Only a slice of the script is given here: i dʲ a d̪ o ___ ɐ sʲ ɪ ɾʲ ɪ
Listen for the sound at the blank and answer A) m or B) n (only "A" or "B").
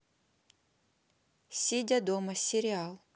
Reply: A